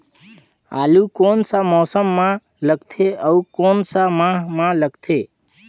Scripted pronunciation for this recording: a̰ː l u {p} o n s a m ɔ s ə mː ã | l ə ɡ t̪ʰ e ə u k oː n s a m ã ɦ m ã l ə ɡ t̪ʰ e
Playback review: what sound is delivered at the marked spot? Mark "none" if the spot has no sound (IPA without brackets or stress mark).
k